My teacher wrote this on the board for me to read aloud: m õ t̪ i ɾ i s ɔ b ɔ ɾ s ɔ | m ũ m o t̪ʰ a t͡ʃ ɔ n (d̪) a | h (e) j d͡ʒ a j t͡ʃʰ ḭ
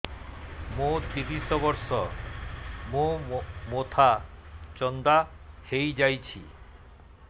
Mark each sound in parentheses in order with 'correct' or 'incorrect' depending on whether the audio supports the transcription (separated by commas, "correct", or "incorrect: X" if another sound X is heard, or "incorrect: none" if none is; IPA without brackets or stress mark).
correct, correct